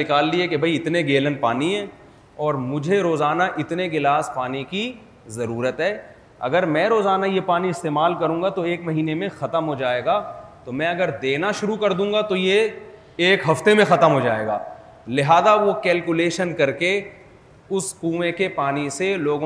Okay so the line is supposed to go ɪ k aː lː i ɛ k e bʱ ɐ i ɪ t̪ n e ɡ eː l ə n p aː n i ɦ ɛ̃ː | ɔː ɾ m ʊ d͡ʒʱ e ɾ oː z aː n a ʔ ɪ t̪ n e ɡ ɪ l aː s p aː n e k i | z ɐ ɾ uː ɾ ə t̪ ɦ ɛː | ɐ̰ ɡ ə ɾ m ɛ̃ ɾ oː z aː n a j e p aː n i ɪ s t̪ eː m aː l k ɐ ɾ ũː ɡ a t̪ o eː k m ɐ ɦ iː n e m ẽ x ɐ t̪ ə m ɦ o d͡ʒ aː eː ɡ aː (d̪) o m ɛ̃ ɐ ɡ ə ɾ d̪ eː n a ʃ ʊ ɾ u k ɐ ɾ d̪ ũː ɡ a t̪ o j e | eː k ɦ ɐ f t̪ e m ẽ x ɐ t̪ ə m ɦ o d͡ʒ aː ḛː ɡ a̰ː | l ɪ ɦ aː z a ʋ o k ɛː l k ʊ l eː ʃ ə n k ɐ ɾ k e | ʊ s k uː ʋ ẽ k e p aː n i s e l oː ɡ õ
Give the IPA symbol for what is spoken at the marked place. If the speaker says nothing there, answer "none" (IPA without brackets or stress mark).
t̪